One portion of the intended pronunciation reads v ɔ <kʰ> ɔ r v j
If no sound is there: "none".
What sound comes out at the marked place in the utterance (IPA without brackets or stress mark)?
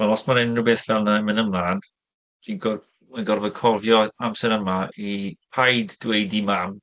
kʰ